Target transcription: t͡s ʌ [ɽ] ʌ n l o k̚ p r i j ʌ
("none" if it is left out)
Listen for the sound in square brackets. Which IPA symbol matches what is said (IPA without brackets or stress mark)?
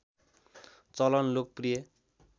l